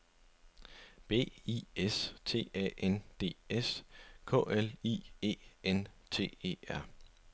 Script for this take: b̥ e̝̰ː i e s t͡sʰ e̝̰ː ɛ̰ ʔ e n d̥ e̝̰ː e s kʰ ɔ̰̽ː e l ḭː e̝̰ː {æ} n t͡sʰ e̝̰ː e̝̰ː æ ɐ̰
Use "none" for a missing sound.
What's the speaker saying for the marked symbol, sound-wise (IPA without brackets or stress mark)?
e